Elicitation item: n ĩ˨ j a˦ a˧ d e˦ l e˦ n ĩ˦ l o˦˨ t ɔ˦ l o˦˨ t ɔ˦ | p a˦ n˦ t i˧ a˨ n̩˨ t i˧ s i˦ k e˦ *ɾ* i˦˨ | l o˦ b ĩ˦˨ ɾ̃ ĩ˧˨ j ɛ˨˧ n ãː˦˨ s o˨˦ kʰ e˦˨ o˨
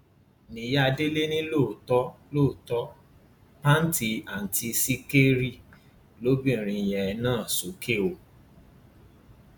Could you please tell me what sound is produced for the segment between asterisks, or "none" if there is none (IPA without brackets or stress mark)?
ɾ